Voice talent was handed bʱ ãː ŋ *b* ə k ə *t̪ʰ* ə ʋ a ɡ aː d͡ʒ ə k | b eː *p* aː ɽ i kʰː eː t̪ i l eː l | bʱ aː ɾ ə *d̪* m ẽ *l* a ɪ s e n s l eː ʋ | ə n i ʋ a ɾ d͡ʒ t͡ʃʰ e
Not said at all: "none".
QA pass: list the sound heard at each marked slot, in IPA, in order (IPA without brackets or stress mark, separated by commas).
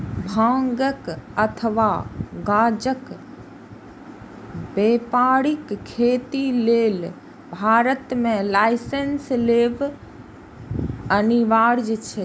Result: ɡ, t̪ʰ, p, t̪, l